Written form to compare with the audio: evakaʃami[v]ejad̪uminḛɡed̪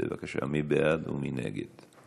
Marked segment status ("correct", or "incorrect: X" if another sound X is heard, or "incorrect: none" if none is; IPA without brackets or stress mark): incorrect: b